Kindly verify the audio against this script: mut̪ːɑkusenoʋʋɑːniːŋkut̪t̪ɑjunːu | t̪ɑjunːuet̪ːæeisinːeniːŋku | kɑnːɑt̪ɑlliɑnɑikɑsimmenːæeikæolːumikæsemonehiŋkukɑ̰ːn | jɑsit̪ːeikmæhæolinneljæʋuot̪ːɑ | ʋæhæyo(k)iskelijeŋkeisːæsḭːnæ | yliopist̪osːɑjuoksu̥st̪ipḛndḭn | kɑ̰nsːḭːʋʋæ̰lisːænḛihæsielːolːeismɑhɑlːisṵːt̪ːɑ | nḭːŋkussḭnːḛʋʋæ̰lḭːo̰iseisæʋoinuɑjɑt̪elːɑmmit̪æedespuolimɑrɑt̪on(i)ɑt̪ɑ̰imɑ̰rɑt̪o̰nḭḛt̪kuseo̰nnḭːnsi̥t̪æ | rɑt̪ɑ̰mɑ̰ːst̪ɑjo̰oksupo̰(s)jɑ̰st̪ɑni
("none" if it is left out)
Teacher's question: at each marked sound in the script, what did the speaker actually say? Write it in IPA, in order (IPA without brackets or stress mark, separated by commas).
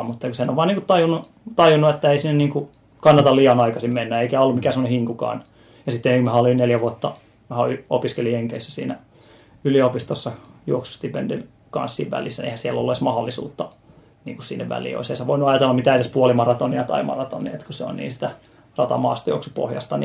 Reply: p, i, h